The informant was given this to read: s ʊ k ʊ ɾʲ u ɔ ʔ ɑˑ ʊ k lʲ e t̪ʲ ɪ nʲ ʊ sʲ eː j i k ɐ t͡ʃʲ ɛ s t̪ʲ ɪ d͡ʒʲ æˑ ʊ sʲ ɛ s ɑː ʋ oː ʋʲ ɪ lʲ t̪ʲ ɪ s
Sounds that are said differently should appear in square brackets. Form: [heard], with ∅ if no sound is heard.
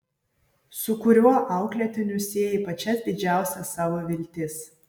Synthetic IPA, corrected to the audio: s ʊ k ʊ ɾʲ u ɔ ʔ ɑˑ ʊ k lʲ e t̪ʲ ɪ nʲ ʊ sʲ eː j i [p] ɐ t͡ʃʲ ɛ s [d̪ʲ] ɪ d͡ʒʲ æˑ ʊ sʲ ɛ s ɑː ʋ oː ʋʲ ɪ lʲ t̪ʲ ɪ s